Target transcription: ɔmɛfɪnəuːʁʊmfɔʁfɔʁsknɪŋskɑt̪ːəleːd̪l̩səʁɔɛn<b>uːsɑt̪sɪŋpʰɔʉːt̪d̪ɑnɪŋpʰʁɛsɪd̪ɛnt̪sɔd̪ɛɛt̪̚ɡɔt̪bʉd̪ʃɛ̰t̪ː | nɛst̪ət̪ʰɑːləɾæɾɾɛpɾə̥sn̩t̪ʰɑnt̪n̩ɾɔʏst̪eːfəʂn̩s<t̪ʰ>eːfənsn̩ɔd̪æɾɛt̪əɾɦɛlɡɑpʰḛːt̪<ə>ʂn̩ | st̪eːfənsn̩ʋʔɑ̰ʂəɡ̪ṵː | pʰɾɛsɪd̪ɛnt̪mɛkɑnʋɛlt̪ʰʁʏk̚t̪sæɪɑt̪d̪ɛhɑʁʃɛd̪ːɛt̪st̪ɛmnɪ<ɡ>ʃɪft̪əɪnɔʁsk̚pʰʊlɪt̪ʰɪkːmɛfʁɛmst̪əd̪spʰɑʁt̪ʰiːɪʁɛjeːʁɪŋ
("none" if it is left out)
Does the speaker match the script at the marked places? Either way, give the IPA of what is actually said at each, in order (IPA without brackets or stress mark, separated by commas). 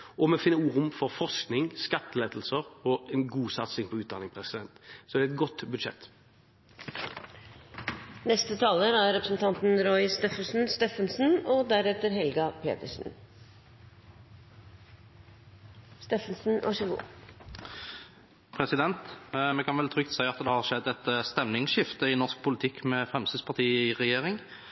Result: ɡ, t̪, ə, ŋ